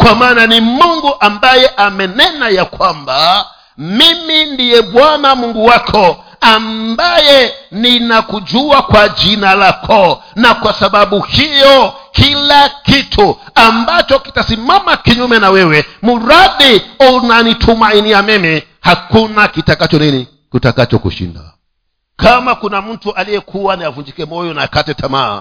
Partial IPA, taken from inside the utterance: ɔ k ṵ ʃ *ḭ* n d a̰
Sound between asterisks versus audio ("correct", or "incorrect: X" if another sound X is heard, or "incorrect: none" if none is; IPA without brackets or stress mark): correct